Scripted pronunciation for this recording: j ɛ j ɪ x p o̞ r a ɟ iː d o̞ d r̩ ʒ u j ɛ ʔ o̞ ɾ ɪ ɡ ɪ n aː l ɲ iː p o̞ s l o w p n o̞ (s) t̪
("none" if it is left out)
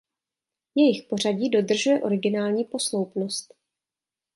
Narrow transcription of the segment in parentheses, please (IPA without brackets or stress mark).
s